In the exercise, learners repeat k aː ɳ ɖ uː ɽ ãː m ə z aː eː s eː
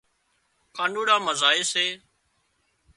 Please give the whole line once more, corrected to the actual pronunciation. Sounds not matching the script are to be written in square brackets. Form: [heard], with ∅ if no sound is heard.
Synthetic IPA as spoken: k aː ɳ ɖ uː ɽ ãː m ə z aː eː s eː

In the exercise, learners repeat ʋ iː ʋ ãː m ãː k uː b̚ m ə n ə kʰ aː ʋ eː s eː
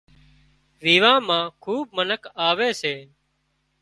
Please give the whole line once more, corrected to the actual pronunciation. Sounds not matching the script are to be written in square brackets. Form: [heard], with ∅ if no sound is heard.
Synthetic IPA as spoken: ʋ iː ʋ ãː m ãː [kʰ] uː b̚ m ə n ə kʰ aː ʋ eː s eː

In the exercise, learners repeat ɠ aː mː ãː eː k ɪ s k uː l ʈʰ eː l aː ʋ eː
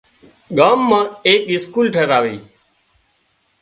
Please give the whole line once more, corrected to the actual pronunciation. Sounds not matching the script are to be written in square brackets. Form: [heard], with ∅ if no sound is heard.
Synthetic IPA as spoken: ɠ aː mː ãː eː k ɪ s k uː l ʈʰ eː [ɾ] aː ʋ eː

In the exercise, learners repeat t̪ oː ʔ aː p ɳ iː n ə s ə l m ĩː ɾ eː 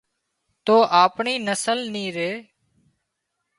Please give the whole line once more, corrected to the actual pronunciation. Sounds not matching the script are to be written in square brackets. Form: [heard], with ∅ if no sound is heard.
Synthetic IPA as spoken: t̪ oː ʔ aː p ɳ iː n ə s ə l [n] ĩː ɾ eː

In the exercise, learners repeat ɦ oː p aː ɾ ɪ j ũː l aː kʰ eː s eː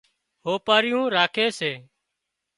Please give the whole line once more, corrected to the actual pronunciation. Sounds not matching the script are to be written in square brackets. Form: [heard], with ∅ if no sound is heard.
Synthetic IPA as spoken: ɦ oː p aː ɾ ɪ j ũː [ɾ] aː kʰ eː s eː

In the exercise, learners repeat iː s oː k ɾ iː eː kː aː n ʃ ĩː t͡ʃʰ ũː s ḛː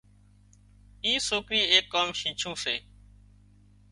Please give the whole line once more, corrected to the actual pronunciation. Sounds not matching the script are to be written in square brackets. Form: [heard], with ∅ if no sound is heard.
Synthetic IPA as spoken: iː s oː k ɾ iː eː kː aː [m] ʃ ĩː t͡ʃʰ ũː s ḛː

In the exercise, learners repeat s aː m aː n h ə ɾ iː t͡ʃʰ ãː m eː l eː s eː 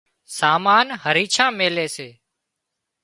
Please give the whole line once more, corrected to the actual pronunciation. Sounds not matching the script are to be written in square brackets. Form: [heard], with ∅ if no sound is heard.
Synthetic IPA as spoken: s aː m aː n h ə ɾ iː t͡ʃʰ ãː m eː l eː s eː

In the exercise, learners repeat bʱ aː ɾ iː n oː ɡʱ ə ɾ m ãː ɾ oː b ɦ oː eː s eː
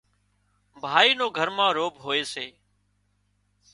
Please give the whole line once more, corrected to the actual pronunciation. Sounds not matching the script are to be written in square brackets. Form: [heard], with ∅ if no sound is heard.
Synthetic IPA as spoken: bʱ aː [∅] iː n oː ɡʱ ə ɾ m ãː ɾ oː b ɦ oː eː s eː

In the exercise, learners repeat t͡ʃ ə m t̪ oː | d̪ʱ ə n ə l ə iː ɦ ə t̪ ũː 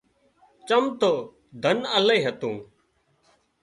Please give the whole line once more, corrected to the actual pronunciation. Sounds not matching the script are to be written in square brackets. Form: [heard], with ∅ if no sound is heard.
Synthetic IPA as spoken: t͡ʃ ə m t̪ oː | d̪ʱ ə n ə l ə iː ɦ ə t̪ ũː

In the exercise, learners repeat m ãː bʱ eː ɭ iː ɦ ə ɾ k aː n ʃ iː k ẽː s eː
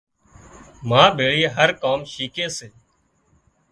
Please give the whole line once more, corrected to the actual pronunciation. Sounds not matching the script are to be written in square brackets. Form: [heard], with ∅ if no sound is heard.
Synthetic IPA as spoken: m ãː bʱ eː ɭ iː ɦ ə ɾ k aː [m] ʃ iː k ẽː s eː

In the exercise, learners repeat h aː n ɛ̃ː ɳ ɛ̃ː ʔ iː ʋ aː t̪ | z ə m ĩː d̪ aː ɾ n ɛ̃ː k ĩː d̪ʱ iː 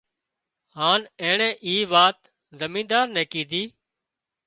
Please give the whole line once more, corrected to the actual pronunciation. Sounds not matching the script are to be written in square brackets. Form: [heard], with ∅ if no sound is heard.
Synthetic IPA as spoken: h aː n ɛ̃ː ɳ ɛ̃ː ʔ iː ʋ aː t̪ | z ə m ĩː d̪ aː ɾ n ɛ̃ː k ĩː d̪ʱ iː

